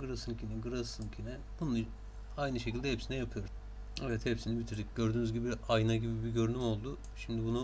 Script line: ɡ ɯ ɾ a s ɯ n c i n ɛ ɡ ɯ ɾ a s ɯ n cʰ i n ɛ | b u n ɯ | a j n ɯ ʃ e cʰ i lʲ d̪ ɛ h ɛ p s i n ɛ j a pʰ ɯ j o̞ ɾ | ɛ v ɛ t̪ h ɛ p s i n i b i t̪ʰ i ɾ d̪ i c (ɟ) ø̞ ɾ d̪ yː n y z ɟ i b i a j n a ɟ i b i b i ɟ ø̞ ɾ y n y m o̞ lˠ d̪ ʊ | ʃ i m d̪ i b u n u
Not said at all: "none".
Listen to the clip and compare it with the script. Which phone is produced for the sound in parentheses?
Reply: ɟ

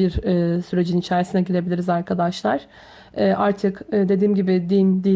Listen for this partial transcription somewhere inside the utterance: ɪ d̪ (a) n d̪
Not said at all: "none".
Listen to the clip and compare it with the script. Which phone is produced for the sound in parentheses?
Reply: i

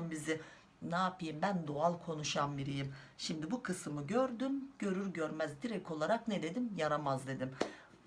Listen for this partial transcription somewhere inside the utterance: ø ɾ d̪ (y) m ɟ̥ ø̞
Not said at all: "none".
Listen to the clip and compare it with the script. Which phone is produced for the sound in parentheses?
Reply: y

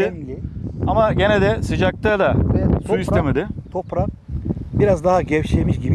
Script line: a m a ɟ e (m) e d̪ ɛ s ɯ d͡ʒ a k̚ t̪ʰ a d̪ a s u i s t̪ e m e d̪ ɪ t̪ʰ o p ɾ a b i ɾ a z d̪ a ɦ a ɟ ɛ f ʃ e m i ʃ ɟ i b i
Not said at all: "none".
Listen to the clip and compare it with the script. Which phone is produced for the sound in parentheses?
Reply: n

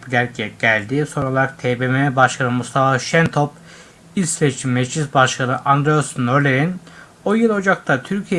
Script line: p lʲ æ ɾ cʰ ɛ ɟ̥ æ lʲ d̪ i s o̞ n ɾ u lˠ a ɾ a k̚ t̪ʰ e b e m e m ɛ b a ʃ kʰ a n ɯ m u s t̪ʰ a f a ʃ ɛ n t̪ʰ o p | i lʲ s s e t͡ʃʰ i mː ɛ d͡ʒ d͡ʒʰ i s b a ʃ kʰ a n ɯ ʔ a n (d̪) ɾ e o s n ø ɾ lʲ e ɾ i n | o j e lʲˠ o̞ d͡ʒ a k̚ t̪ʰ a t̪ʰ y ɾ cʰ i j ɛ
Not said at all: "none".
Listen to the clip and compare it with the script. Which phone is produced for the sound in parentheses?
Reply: d̪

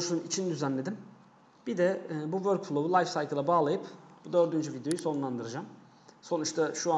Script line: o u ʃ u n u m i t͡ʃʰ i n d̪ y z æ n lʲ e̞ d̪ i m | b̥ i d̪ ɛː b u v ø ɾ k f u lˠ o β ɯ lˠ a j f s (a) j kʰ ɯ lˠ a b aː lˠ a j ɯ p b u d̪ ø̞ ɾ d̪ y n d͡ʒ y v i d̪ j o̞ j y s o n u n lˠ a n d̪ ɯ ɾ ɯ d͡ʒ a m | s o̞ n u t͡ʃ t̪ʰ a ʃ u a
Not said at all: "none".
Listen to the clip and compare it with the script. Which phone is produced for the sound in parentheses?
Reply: a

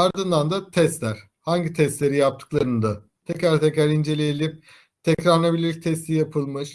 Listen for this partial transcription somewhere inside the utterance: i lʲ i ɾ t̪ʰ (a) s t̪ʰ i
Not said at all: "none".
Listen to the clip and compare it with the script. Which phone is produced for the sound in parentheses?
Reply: ɛ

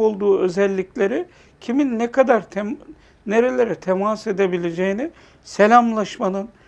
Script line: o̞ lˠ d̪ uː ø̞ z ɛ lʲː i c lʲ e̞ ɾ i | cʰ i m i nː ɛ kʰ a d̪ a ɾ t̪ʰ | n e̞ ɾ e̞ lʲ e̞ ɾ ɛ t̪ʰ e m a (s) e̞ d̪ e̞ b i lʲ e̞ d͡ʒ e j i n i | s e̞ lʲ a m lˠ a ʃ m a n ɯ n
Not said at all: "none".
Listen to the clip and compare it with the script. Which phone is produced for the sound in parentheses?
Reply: s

